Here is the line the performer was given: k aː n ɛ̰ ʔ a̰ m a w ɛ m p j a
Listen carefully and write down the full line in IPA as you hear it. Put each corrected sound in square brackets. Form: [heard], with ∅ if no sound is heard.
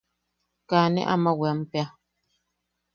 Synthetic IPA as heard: k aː n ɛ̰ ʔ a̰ m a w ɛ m p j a